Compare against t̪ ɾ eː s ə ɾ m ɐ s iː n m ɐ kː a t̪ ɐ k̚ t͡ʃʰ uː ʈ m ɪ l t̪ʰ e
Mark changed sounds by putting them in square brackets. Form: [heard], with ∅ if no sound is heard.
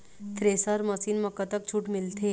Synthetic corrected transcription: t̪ ɾ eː s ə ɾ m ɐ s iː n m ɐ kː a t̪ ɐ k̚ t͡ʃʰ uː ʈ m ɪ l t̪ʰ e